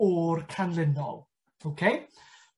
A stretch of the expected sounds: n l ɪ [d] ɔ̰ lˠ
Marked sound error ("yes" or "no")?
yes